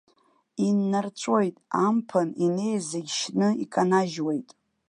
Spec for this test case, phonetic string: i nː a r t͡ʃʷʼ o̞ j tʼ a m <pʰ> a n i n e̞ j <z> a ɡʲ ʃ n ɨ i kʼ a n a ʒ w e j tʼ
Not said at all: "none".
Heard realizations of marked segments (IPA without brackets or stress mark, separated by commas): pʰ, z